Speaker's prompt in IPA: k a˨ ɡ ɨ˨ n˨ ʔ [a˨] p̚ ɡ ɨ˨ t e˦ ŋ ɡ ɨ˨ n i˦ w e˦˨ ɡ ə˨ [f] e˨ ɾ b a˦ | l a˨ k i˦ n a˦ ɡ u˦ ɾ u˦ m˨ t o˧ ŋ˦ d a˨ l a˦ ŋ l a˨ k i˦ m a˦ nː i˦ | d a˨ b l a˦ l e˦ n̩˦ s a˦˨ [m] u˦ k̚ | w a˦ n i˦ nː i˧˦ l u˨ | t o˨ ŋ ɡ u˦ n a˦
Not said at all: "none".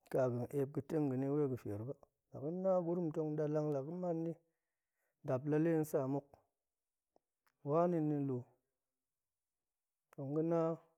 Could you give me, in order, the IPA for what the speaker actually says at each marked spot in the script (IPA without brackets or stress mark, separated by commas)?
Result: e˨, f, m